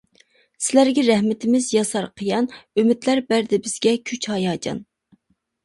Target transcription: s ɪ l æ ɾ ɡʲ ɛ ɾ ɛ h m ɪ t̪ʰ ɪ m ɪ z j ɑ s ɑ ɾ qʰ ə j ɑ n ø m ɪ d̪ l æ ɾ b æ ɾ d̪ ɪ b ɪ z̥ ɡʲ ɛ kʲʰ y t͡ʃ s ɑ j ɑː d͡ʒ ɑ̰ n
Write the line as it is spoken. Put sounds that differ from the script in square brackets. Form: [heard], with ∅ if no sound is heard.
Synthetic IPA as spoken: s ɪ l æ ɾ ɡʲ ɛ ɾ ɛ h m ɪ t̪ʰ ɪ m ɪ z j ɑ s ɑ ɾ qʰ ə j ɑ n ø m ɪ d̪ l æ ɾ b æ ɾ d̪ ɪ b ɪ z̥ ɡʲ ɛ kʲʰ y t͡ʃ [h] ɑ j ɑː d͡ʒ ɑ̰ n